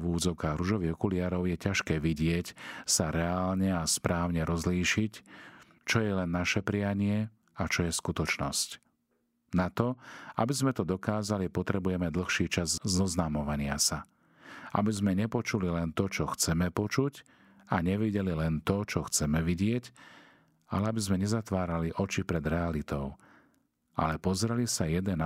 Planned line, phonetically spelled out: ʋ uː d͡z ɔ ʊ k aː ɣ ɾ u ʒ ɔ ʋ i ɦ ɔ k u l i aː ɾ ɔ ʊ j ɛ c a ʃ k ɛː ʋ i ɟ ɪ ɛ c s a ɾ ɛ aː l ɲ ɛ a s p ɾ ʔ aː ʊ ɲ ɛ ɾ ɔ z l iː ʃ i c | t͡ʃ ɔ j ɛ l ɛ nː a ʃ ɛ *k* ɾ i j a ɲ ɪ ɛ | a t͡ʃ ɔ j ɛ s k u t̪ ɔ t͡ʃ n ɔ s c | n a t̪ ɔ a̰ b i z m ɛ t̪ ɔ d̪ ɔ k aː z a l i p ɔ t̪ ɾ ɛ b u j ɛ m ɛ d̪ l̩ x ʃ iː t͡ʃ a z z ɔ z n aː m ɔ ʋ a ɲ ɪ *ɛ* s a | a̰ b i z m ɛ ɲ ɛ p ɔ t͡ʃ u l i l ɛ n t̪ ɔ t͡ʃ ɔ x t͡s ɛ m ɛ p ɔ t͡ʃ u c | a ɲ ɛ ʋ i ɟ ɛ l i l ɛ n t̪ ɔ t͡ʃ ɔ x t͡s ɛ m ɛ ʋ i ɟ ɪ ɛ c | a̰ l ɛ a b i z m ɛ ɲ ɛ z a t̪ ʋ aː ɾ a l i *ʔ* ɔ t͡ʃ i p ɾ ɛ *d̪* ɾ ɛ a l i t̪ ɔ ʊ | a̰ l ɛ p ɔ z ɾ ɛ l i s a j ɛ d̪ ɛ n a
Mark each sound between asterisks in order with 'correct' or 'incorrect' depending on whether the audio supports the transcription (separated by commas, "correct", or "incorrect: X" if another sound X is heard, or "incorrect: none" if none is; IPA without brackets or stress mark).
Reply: incorrect: p, incorrect: a, correct, correct